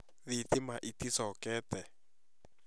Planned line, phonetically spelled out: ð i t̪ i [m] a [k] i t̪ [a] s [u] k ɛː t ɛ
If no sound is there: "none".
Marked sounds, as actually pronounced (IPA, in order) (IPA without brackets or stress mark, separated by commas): m, ʔ, i, ɔ